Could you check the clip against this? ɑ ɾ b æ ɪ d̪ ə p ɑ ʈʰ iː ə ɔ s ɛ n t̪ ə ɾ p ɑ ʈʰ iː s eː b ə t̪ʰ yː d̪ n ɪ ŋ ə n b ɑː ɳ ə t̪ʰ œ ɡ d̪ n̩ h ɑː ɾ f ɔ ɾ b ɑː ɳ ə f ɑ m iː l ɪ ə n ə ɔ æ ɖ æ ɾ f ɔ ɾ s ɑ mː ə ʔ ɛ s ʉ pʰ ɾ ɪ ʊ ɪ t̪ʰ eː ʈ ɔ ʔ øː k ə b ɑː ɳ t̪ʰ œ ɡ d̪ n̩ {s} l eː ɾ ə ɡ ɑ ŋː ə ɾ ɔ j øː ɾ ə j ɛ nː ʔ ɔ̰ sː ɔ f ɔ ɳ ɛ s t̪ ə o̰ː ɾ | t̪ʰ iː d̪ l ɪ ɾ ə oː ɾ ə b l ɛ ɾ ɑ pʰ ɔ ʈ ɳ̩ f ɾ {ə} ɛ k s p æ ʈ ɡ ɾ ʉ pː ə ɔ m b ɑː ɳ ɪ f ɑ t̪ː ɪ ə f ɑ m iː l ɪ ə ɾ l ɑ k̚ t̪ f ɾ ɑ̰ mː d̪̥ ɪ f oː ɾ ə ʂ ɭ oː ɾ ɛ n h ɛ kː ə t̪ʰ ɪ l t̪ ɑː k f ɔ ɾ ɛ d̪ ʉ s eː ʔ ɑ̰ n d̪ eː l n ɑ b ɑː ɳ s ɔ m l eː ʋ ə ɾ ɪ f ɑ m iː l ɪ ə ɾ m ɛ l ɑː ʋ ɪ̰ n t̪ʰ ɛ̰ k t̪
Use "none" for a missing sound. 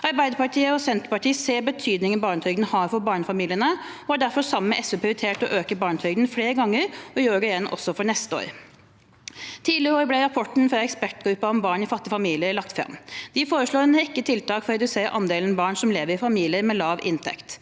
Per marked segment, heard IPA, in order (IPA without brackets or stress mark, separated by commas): f, ɑ